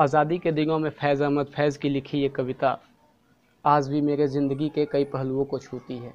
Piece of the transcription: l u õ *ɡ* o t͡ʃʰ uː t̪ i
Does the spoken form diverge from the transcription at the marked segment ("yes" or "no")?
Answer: yes